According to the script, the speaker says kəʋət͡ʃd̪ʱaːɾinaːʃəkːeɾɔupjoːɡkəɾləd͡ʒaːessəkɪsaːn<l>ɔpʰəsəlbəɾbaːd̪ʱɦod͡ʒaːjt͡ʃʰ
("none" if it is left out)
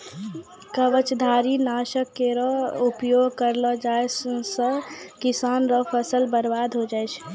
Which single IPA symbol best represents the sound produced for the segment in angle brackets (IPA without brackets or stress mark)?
ɾ